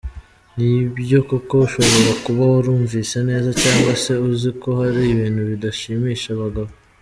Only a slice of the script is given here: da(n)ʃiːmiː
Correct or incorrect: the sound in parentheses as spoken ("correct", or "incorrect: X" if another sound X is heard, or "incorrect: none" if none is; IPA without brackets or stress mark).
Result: incorrect: none